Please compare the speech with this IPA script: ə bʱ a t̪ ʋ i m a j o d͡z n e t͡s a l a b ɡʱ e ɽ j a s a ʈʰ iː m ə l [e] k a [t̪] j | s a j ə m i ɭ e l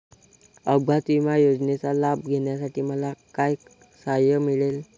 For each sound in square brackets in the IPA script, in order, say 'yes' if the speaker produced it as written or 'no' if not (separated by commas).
no, no